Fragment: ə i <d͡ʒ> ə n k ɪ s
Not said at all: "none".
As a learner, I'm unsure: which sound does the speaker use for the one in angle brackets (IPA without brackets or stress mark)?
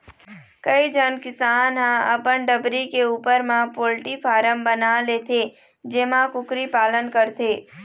d͡ʒ